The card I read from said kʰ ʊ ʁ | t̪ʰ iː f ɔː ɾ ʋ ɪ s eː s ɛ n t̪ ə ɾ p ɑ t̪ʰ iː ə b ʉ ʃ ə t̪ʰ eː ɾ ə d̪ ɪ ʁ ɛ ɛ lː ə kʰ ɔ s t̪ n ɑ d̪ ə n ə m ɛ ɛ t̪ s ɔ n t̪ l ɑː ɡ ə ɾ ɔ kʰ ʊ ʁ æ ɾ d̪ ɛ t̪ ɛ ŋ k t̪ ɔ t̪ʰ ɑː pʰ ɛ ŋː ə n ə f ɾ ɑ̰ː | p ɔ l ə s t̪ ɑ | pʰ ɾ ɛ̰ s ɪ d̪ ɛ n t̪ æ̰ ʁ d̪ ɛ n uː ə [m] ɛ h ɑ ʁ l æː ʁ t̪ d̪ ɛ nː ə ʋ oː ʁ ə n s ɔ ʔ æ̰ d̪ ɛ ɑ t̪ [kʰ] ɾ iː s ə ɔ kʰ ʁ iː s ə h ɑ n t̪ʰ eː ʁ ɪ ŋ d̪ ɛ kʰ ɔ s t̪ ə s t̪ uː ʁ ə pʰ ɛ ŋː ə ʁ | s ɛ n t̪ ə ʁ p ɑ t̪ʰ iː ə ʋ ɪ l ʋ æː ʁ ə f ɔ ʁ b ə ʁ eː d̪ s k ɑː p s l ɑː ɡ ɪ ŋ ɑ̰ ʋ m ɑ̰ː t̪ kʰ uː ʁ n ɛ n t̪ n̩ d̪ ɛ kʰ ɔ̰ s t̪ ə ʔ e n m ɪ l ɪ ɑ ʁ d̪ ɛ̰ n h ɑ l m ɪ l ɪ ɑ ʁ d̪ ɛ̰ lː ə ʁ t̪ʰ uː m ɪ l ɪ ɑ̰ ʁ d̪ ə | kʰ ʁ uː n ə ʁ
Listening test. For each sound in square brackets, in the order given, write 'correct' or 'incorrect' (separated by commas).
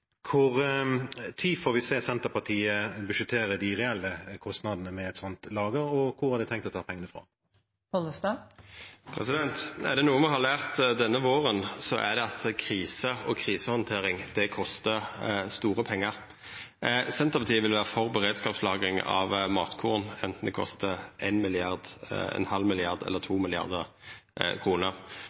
correct, correct